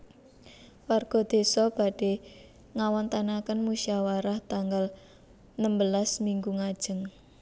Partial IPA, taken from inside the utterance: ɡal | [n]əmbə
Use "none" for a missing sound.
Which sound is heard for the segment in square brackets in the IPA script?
n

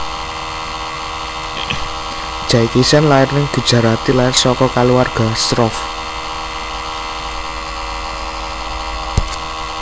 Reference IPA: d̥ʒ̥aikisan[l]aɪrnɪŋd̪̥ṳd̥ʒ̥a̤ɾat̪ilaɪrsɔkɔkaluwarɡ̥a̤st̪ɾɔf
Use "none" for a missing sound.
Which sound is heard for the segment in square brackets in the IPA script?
l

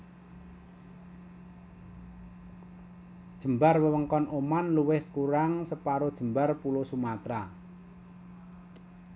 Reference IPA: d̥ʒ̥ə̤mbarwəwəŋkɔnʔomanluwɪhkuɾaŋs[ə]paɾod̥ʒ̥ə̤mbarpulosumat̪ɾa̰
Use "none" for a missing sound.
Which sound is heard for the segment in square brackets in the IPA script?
ə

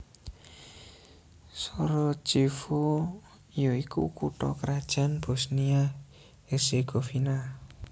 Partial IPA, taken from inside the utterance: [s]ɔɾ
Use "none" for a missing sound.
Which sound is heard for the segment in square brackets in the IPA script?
s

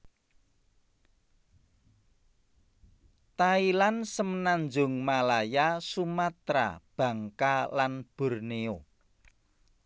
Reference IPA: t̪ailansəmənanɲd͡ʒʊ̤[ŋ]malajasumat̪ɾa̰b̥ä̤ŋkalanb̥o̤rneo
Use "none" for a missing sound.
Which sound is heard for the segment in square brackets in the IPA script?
ŋ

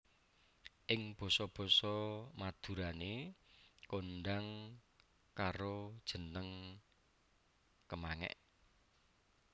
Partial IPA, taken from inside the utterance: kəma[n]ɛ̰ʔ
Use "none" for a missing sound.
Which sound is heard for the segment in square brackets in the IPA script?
ŋ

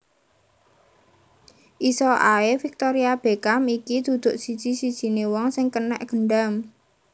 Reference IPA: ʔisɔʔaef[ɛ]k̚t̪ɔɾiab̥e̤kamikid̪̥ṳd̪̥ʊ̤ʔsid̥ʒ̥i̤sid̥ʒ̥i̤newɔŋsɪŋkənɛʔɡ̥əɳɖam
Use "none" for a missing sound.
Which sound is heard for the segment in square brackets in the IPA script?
i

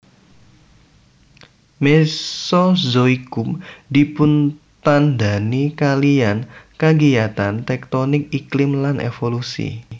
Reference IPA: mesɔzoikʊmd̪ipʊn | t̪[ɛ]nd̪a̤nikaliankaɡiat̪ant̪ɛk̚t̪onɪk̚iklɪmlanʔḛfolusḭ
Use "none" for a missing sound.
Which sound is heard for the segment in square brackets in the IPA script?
a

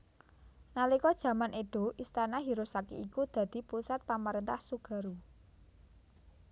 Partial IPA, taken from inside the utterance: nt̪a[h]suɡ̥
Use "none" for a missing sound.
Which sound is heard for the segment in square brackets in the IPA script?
h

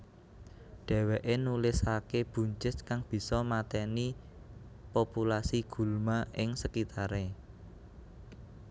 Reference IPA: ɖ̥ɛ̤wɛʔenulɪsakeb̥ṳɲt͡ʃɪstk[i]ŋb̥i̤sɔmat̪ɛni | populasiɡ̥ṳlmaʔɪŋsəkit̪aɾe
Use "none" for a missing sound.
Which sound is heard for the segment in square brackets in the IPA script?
a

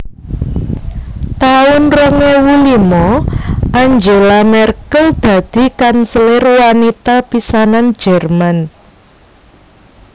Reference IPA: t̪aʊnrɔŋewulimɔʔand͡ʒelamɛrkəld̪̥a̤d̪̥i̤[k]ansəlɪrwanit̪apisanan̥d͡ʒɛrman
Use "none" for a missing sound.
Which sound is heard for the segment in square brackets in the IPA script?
k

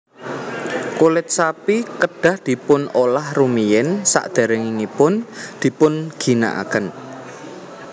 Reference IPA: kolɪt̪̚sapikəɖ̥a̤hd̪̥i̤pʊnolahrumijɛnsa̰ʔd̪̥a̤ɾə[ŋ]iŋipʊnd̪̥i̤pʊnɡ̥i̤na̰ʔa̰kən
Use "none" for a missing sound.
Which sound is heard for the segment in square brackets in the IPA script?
ŋ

